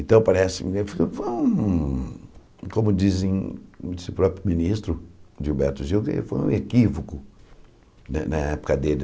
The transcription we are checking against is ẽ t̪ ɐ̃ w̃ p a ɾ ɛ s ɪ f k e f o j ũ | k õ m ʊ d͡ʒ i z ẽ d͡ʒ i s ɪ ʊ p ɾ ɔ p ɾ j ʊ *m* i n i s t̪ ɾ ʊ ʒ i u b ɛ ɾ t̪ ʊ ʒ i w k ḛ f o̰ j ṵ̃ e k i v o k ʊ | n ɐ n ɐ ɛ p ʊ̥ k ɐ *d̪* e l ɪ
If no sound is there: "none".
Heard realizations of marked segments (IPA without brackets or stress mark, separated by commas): m, d̪